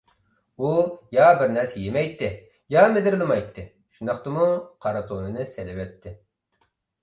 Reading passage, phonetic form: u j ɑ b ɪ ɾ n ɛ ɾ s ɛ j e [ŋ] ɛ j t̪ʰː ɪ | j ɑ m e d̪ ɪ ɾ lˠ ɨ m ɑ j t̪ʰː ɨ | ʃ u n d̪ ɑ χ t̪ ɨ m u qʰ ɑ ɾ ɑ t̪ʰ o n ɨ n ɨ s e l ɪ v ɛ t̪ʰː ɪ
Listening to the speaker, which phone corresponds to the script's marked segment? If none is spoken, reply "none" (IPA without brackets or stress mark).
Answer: m